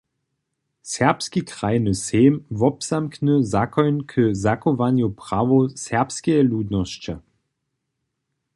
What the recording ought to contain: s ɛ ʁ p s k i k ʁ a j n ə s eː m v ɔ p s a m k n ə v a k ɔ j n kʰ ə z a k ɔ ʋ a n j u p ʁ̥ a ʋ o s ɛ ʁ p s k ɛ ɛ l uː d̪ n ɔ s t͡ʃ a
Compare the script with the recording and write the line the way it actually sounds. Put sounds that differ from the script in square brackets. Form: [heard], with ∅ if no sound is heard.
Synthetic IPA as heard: s ɛ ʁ p s k i k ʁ a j n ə s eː m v ɔ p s a m k n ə [z] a k ɔ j n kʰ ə z a k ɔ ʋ a n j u p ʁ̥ a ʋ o s ɛ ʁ p s k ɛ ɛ l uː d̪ n ɔ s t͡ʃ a